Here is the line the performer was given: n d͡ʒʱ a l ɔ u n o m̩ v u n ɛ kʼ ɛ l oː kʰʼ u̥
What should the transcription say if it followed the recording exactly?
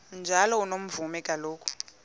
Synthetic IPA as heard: n d͡ʒʱ a l ɔ u n o m̩ v u m ɛ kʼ a l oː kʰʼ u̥